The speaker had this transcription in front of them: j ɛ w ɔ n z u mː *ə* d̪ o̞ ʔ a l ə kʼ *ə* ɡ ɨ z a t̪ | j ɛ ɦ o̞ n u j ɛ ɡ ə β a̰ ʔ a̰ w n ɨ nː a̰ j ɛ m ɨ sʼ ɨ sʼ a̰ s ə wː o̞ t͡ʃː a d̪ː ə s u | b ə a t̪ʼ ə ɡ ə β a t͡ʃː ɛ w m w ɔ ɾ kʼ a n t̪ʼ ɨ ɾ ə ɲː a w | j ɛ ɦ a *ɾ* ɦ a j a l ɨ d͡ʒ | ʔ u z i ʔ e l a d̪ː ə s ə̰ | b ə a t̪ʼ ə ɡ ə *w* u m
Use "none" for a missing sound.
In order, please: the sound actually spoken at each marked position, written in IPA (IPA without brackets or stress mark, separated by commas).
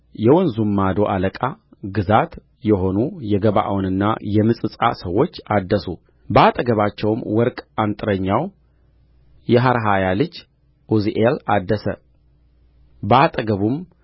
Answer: a, a, ɾ, β